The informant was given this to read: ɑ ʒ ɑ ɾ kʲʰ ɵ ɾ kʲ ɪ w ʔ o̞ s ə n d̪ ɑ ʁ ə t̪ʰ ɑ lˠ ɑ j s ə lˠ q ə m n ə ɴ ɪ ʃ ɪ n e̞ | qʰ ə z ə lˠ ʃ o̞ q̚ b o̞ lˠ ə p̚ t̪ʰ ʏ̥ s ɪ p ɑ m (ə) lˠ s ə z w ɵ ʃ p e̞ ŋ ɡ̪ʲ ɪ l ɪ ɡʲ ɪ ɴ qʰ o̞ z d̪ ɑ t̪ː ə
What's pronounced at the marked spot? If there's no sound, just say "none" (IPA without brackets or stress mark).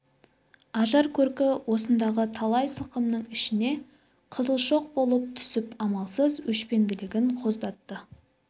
ɑ